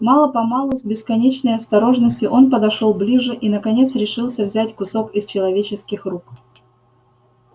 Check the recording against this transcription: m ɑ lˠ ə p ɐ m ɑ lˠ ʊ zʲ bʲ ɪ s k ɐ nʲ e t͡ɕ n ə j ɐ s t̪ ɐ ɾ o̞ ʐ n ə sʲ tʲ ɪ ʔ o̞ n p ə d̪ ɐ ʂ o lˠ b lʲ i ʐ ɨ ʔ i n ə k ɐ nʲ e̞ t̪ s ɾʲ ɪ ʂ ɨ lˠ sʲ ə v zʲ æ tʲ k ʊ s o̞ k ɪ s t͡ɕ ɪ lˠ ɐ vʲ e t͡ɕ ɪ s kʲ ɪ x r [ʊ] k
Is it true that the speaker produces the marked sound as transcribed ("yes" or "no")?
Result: no